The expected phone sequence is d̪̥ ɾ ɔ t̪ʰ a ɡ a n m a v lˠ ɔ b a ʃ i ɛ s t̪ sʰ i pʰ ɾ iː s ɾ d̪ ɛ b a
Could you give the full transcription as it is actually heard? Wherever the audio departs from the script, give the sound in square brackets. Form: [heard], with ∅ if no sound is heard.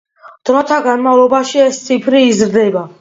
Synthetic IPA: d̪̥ ɾ ɔ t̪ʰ a ɡ a n m a v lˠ ɔ b a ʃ i ɛ s t̪ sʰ i pʰ ɾ iː [z] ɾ d̪ ɛ b a